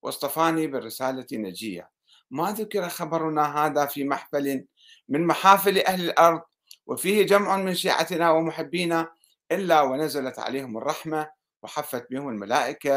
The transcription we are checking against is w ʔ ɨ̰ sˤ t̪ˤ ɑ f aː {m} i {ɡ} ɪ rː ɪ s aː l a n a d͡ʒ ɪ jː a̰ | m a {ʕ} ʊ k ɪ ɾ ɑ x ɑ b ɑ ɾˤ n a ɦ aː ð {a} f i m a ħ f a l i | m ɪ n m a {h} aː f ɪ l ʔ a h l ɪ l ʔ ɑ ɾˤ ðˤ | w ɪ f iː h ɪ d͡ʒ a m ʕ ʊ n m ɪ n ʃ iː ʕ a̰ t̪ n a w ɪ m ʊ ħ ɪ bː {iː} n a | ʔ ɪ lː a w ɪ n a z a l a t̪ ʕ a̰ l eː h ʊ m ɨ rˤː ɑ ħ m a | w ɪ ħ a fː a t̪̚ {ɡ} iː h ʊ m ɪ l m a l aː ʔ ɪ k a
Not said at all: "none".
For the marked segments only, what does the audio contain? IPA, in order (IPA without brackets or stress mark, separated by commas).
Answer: n, b, ð, a, ħ, iː, b